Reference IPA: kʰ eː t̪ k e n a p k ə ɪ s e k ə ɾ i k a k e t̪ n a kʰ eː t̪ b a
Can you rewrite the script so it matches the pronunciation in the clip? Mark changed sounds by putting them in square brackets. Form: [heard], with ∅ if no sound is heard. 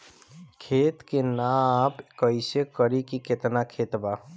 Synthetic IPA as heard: kʰ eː t̪ k e n a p k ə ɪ s e k ə ɾ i k [i] k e t̪ n a kʰ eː t̪ b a